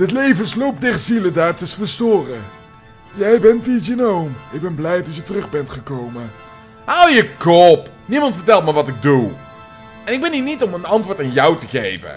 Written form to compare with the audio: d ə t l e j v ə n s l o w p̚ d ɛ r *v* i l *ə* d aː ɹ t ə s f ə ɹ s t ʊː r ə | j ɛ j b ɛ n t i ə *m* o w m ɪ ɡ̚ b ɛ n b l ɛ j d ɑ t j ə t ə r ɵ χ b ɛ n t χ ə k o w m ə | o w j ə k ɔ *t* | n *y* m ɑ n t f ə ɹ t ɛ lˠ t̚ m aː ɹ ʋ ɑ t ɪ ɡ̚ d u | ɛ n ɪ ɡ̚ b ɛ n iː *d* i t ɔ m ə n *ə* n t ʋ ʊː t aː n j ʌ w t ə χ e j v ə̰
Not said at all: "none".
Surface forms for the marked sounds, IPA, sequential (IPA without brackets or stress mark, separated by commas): z, ə, n, p, i, n, ɑ